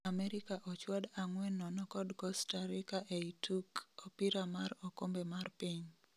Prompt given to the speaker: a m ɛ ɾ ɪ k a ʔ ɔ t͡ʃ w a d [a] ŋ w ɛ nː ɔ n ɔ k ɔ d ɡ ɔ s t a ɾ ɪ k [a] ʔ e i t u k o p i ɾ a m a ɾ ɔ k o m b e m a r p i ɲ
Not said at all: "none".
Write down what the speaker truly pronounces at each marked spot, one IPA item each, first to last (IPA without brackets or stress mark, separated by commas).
a, a